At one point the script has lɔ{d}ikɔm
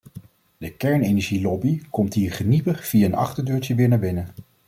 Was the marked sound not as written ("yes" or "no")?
yes